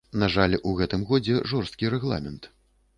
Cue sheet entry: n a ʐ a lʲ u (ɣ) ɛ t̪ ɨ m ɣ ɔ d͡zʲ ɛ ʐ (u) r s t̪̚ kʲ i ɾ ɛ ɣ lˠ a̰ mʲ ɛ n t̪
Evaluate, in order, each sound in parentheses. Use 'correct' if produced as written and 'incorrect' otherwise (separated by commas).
correct, incorrect